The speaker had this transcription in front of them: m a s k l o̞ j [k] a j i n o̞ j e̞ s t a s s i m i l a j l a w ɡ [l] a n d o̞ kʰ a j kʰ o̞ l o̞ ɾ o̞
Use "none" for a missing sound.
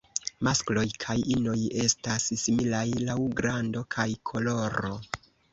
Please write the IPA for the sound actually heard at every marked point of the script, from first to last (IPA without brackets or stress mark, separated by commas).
kʰ, ɾ